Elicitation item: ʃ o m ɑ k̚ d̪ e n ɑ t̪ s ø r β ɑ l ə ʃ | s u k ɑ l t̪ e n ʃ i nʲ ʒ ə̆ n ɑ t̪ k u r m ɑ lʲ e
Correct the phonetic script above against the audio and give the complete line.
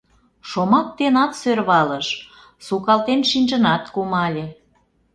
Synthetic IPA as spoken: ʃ o m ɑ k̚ t̪ e n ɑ t̪ s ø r β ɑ l ə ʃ | s u k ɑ l t̪ e n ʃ i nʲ ʒ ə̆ n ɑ t̪ k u m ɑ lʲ e